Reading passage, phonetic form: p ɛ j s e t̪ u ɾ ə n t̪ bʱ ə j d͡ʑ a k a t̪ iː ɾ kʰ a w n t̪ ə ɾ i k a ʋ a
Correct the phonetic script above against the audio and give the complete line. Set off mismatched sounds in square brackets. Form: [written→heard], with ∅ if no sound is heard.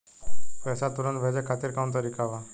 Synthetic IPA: p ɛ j s [e→a] t̪ u ɾ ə n t̪ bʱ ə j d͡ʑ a [k→kʰ] a t̪ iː ɾ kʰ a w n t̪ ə ɾ i k a ʋ a